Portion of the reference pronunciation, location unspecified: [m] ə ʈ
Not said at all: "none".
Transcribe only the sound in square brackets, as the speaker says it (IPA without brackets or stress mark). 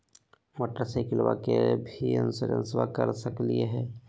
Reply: m